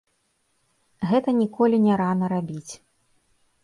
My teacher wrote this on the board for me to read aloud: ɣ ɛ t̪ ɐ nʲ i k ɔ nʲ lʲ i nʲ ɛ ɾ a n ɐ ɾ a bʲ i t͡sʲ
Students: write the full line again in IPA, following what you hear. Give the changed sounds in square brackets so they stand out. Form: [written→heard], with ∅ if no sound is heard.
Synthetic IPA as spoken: ɣ ɛ t̪ ɐ nʲ i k ɔ [nʲ→∅] lʲ i nʲ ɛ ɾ a n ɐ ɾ a bʲ i t͡sʲ